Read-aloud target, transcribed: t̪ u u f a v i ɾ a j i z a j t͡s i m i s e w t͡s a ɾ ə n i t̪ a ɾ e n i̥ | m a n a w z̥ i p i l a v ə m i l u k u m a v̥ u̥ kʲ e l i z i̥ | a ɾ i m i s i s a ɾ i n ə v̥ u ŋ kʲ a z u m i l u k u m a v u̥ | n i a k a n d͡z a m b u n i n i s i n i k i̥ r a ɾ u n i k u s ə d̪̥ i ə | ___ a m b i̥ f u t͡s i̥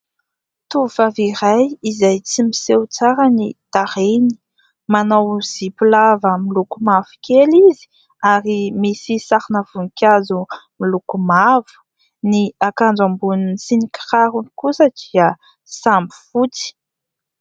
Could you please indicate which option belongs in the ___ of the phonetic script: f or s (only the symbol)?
s